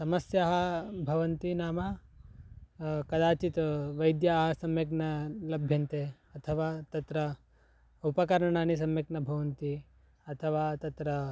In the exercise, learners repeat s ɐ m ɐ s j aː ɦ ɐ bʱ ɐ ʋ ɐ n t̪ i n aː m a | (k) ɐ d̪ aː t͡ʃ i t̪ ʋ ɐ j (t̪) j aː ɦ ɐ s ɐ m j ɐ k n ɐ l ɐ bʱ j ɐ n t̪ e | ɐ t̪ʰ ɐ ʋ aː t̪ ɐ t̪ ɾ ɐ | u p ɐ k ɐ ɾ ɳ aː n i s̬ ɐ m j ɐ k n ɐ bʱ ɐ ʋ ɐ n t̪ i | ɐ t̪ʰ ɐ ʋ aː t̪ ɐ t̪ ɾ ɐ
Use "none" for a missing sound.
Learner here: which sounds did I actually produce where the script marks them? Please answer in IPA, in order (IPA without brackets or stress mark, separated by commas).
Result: k, d̪